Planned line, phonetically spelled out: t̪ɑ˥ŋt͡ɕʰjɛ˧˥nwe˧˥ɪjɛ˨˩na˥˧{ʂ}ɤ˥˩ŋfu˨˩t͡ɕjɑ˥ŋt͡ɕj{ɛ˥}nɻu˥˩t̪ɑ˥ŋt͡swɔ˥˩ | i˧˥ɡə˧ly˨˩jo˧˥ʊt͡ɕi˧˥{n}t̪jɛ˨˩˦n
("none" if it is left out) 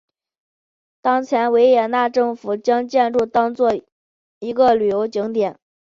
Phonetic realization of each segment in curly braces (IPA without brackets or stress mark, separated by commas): ʈ͡ʂ, ɛ˥˧, ŋ